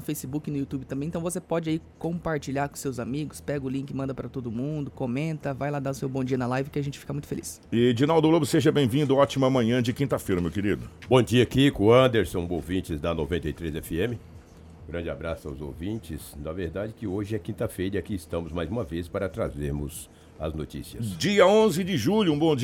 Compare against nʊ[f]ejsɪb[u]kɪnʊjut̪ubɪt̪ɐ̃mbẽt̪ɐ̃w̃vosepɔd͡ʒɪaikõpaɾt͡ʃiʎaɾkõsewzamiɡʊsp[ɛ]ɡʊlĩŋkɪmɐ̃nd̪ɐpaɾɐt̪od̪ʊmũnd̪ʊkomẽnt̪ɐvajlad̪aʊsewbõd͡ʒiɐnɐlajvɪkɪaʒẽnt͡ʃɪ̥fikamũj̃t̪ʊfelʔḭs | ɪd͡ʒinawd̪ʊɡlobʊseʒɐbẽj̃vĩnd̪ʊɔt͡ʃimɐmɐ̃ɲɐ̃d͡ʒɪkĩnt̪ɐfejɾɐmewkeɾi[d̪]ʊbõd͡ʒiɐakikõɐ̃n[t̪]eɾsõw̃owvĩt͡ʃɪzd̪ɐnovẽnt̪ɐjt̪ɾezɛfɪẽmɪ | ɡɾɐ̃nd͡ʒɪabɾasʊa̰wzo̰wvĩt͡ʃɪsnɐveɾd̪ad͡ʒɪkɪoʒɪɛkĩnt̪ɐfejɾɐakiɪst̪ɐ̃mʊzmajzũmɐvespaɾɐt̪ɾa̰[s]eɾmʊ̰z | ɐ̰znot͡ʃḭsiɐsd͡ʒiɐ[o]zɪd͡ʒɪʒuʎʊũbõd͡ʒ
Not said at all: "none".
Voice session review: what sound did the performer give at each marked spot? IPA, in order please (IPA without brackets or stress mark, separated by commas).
f, u, ɛ, d̪, d̪, z, õ